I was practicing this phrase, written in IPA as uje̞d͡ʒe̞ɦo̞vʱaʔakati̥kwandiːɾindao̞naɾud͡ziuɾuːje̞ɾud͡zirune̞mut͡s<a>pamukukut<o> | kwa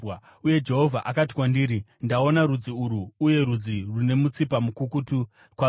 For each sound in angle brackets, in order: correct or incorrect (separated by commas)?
incorrect, incorrect